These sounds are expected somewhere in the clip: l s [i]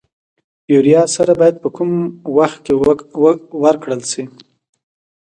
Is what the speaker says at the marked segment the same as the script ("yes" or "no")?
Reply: yes